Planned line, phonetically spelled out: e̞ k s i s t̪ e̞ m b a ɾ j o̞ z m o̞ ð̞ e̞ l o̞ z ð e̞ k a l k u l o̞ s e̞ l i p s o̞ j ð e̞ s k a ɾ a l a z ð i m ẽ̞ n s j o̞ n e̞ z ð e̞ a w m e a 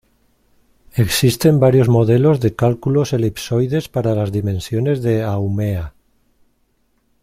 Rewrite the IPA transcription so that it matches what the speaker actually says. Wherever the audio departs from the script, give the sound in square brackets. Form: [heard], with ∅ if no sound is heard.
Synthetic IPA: e̞ k s i s t̪ e̞ m b a ɾ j o̞ z m o̞ ð̞ e̞ l o̞ z ð e̞ k a l k u l o̞ s e̞ l i p s o̞ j ð e̞ s [p] a ɾ a l a z ð i m ẽ̞ n s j o̞ n e̞ z ð e̞ a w m e a